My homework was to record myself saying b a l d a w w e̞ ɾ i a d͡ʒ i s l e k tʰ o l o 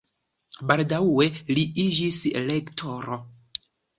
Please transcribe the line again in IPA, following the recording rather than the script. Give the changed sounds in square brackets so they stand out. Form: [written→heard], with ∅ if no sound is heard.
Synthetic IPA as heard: b a l d a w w e̞ [ɾ→l] i [a→i] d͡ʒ i s l e k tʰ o [l→ɾ] o